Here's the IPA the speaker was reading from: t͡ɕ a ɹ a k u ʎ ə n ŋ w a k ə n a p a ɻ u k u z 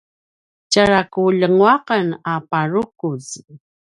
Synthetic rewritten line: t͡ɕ a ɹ a k u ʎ ə ŋ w a q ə n a p a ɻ u k u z